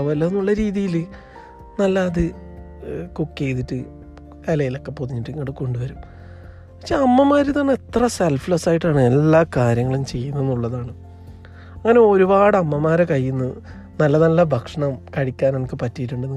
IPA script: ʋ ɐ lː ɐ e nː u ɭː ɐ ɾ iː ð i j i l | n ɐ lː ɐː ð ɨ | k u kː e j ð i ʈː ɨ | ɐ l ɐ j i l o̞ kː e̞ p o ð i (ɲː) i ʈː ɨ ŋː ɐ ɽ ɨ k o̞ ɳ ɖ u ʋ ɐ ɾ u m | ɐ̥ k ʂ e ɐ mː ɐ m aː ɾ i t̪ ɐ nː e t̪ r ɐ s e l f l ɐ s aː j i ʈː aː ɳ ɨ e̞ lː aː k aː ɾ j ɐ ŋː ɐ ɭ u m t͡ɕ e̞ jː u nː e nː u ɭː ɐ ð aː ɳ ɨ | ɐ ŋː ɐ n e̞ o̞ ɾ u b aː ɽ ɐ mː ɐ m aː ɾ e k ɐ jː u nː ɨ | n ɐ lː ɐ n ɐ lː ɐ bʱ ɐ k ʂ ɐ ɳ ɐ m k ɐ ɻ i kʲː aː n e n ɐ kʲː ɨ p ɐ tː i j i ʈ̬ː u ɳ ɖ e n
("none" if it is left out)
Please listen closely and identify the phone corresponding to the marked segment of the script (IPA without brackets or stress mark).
ɲː